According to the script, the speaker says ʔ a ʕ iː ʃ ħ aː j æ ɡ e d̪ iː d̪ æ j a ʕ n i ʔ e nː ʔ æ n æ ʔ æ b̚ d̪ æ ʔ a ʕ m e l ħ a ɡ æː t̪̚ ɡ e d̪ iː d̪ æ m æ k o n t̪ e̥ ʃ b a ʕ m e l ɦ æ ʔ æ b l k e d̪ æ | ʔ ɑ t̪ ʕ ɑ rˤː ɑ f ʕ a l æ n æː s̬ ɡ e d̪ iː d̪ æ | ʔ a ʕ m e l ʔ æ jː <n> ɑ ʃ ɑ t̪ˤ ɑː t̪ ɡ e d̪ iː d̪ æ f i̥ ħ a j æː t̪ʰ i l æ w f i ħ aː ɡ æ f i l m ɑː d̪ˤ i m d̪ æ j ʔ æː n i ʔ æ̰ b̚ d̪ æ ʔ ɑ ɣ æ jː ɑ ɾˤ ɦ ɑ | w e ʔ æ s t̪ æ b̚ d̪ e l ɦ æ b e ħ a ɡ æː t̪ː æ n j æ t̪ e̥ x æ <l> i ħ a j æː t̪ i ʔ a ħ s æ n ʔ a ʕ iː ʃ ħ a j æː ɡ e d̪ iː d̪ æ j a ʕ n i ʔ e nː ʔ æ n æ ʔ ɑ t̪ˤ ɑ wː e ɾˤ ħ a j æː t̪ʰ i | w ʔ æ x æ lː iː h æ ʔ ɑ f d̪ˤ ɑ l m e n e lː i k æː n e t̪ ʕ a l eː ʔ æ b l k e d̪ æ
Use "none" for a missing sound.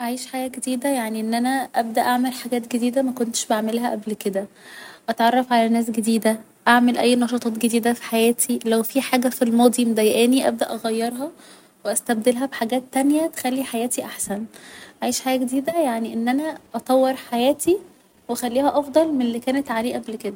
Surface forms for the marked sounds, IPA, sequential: n, lː

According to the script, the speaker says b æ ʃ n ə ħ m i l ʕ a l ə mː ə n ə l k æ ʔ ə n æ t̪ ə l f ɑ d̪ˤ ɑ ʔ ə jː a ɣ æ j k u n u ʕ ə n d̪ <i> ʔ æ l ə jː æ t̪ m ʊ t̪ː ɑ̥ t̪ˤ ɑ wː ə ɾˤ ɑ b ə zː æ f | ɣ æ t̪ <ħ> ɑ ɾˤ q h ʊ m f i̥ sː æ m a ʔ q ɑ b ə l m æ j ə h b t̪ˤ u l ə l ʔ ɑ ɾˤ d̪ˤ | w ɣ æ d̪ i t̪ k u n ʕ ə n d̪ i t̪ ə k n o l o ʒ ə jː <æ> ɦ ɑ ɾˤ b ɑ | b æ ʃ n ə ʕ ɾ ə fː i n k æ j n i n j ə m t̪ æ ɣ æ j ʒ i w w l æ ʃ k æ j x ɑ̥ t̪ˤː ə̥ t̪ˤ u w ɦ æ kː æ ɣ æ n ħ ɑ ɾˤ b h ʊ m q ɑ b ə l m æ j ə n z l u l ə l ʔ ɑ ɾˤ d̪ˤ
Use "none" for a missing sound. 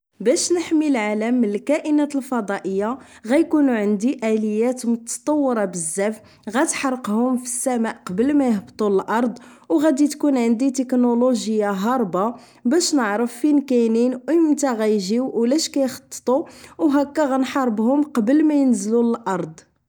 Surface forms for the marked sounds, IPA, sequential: i, ħ, a

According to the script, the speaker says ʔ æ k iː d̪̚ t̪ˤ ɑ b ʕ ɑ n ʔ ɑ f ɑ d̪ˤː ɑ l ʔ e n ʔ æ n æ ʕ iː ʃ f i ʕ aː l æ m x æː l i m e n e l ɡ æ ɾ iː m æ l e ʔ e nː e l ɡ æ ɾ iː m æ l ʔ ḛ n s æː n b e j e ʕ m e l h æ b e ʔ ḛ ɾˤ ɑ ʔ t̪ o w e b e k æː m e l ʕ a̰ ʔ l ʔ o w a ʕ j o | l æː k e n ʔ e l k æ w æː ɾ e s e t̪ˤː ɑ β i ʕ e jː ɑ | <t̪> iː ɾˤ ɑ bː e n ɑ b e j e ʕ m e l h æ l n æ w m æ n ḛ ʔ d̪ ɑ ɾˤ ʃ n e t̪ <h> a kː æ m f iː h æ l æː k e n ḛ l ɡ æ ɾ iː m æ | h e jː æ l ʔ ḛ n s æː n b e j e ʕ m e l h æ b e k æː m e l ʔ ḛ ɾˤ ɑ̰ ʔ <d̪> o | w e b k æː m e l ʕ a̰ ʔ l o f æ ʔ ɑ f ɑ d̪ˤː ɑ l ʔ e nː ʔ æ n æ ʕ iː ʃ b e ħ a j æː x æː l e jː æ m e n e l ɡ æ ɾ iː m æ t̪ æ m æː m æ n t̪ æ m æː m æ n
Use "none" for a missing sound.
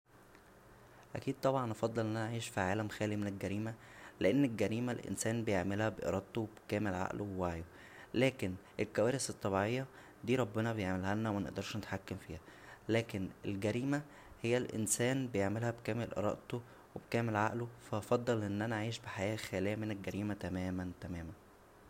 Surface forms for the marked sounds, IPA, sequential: d̪, ħ, t̪

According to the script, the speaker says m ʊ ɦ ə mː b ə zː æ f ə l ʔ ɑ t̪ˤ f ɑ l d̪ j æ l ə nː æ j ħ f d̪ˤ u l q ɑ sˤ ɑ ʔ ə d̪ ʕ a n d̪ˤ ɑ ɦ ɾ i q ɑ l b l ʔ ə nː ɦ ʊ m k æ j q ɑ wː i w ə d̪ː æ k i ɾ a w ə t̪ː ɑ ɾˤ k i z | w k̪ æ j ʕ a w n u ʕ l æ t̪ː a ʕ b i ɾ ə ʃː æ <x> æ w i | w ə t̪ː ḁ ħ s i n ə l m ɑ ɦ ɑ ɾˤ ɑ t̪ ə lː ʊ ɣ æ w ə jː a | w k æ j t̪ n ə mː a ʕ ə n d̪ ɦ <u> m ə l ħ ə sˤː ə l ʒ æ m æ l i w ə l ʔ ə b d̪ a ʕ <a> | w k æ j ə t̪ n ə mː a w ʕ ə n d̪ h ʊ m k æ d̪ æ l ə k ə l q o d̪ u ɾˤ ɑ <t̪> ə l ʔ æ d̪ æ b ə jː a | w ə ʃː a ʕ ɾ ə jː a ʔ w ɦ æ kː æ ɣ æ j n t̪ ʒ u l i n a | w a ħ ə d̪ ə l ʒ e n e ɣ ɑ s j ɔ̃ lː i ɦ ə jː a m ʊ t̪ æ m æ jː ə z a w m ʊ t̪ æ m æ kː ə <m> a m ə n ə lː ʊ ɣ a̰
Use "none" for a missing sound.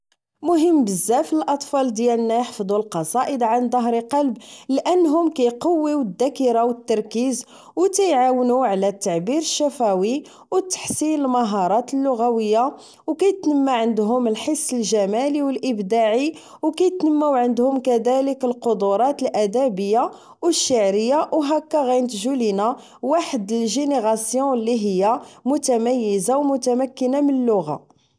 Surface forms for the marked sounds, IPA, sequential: f, ʊ, i, t̪, n

